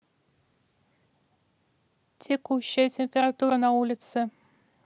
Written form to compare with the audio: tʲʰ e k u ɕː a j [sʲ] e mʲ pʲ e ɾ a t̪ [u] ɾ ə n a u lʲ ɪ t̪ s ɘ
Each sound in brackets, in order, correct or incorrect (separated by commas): incorrect, correct